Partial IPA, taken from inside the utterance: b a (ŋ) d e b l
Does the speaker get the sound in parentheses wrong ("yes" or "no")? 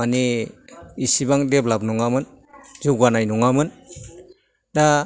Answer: no